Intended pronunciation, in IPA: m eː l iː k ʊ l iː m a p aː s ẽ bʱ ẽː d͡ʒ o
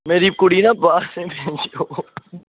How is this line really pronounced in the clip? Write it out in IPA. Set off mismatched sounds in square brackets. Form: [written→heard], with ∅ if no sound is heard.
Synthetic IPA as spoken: m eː [l→ɾ] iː k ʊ [l→ɽ] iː [m→n] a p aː s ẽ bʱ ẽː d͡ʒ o